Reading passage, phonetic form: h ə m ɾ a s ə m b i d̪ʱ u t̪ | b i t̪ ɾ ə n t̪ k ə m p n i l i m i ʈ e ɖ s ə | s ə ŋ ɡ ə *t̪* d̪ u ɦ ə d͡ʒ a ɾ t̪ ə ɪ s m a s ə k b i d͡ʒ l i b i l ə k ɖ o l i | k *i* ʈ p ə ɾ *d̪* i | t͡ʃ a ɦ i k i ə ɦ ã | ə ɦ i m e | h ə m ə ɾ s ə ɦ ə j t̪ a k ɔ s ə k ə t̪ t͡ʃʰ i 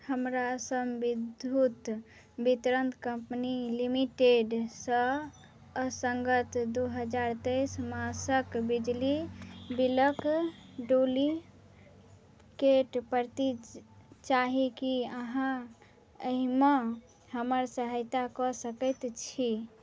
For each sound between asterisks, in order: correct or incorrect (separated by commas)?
correct, incorrect, incorrect